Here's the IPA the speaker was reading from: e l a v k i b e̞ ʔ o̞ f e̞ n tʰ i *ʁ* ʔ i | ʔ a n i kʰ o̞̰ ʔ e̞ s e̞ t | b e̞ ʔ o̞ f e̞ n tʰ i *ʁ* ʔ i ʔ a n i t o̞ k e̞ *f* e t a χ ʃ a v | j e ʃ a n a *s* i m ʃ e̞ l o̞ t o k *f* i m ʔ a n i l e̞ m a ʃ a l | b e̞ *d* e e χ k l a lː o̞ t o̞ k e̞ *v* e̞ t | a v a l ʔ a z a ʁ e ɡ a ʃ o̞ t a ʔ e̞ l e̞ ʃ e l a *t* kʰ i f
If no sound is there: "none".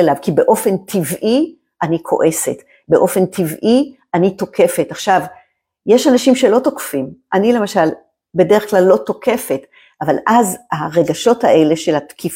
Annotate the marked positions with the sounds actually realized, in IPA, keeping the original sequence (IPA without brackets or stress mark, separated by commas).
v, v, f, ʃ, f, d, f, t